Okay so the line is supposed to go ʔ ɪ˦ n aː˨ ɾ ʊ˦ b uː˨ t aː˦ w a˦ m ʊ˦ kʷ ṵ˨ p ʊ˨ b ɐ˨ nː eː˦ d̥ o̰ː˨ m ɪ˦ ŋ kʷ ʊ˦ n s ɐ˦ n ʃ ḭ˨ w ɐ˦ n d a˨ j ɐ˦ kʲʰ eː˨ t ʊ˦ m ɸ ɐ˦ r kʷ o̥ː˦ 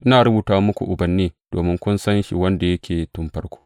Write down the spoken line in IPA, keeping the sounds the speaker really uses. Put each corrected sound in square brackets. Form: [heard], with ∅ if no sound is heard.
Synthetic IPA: ʔ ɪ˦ n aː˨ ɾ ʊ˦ b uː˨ t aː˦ w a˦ m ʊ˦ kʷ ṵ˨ [ʔ] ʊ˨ b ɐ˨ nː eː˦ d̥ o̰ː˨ m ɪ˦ ŋ kʷ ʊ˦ n s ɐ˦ n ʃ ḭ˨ w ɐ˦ n d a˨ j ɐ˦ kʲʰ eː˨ t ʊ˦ m ɸ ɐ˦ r kʷ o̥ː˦

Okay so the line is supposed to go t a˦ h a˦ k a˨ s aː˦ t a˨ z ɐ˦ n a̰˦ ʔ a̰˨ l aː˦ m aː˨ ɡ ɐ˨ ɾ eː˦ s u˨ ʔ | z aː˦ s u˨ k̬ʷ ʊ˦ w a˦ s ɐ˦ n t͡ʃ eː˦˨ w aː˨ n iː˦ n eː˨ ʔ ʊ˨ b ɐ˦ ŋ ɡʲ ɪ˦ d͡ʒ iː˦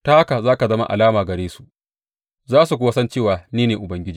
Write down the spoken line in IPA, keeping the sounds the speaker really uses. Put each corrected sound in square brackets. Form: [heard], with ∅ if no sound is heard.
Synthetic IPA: t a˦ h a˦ k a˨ [z] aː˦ [k] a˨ z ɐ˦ [m] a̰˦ ʔ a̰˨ l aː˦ m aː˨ ɡ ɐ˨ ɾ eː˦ s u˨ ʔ | z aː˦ s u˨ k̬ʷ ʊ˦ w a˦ s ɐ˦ n t͡ʃ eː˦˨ w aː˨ n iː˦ n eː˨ ʔ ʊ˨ b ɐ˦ ŋ ɡʲ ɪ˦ d͡ʒ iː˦

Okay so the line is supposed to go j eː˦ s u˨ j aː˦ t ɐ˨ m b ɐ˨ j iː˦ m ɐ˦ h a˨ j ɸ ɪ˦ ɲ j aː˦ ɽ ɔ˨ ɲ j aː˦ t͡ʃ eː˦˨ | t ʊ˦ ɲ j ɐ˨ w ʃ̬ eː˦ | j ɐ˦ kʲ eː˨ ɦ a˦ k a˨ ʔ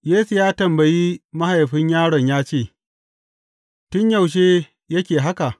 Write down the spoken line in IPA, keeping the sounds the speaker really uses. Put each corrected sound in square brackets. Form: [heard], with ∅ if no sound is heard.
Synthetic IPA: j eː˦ s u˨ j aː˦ t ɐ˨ m b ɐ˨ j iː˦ m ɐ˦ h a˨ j ɸ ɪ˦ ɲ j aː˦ ɽ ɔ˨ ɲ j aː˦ t͡ʃ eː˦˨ | t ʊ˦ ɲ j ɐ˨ w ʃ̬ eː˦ | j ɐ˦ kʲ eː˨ ɦ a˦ k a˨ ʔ

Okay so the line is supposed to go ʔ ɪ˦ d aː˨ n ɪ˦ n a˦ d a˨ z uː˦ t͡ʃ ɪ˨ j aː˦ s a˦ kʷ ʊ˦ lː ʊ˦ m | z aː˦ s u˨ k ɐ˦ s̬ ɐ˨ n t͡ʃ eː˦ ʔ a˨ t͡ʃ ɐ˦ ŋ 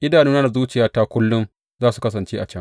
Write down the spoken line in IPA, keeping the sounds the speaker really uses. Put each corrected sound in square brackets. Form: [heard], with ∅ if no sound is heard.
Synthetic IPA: ʔ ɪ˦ d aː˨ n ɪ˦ n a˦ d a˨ z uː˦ t͡ʃ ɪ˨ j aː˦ [t] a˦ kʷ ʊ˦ lː ʊ˦ m | z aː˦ s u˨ k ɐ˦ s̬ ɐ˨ n t͡ʃ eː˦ ʔ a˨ t͡ʃ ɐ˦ ŋ

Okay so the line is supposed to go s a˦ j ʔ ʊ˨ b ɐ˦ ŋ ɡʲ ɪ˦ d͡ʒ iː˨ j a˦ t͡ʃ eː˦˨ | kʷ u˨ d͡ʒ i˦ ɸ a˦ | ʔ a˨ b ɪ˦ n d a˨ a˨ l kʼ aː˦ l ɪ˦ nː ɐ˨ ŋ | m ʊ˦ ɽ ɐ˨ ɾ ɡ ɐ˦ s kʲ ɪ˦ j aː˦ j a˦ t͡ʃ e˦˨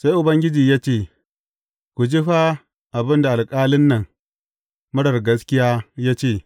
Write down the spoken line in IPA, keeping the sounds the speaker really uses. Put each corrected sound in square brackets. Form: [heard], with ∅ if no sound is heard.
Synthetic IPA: s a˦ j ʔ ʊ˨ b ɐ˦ ŋ ɡʲ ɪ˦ d͡ʒ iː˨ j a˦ t͡ʃ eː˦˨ | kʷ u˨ d͡ʒ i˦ ɸ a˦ | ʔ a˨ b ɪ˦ n d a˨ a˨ l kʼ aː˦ l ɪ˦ nː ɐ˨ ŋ | m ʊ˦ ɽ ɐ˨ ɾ ɡ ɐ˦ s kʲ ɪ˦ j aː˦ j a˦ t͡ʃ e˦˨

